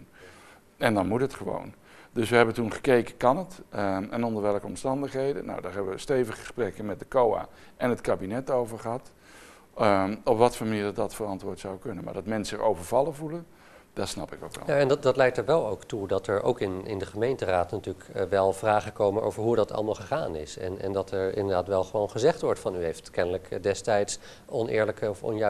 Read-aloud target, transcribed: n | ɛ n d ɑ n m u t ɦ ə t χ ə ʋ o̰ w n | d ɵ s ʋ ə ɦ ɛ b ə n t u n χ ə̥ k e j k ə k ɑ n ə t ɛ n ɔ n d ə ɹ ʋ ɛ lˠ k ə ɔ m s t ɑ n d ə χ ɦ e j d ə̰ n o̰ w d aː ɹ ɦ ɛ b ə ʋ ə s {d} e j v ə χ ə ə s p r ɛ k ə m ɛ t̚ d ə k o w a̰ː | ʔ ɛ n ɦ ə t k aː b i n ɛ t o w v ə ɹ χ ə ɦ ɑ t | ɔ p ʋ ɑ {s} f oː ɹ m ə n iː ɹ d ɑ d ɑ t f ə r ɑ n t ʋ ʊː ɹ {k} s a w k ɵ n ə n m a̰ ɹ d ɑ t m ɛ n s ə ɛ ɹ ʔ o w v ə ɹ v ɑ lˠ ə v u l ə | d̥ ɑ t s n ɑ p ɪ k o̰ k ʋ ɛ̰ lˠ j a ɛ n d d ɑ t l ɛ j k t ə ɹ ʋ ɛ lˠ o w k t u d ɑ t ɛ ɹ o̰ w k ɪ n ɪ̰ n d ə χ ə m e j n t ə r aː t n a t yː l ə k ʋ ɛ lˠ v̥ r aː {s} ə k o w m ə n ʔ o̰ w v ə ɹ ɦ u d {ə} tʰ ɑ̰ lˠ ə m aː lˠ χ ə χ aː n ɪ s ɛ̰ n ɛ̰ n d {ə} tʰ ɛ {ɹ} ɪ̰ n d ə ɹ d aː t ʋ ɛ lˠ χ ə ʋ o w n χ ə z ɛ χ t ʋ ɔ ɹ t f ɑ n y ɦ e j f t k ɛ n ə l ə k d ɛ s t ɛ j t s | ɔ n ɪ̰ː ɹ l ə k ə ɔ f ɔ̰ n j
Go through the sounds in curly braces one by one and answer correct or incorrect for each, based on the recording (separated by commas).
incorrect, incorrect, incorrect, incorrect, incorrect, incorrect, correct